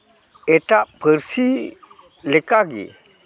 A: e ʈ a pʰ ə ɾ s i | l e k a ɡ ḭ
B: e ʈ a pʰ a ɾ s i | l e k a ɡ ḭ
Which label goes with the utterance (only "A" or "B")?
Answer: A